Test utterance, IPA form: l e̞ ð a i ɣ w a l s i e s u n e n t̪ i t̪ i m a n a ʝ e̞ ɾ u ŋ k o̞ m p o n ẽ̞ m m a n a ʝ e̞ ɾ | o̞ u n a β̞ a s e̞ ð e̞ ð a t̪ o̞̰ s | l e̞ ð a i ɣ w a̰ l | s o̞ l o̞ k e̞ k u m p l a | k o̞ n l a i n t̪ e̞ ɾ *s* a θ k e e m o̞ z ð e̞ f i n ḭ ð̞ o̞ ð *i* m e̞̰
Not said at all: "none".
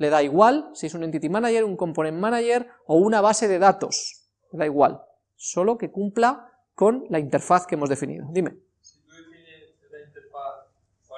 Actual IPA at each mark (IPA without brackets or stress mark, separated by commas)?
f, i